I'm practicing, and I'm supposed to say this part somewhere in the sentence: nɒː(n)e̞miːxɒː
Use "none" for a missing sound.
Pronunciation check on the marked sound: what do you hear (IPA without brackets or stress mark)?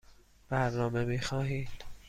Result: m